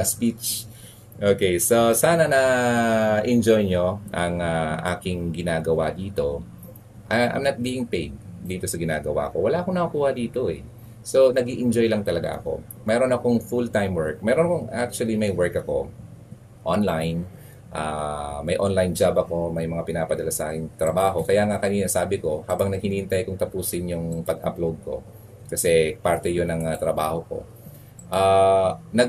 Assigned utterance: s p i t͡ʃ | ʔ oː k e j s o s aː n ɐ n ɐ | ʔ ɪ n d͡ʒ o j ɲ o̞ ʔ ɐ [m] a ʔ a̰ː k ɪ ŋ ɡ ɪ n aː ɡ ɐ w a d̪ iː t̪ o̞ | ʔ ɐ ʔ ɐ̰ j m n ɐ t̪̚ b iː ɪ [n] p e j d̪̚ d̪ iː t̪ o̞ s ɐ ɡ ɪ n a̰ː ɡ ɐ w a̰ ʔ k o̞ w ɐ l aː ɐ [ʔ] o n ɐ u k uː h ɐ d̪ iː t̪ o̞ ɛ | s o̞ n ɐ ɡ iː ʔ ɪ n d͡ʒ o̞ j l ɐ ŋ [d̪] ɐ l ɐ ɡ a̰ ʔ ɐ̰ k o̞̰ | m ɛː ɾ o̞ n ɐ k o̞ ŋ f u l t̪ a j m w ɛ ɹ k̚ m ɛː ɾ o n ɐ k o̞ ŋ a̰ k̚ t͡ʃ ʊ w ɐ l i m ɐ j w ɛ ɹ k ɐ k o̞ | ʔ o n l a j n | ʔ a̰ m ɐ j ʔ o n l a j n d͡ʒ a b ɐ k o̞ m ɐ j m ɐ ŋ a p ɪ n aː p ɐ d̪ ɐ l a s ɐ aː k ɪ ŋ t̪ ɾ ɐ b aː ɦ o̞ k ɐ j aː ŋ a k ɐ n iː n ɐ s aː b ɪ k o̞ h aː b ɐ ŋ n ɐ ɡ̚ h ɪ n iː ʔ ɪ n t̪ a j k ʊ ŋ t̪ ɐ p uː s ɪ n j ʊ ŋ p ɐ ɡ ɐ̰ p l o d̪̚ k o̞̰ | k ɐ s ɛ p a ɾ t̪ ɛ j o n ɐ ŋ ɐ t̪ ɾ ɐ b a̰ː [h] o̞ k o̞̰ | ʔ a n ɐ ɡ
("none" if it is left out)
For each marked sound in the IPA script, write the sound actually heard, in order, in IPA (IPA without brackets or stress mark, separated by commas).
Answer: ŋ, ŋ, k, t̪, h